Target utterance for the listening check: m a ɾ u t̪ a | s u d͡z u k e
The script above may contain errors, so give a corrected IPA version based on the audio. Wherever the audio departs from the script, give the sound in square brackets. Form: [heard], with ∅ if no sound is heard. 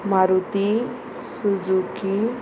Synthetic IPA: m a ɾ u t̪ [i] | s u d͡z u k [i]